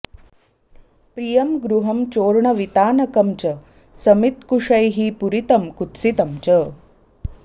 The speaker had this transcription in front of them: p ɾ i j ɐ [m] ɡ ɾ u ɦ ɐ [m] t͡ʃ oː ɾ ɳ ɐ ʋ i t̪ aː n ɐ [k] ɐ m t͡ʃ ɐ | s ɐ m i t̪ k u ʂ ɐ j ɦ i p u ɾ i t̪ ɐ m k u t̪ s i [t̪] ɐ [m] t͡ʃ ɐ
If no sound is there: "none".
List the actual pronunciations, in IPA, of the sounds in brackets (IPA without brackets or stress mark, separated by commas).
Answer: m, m, k, t̪, m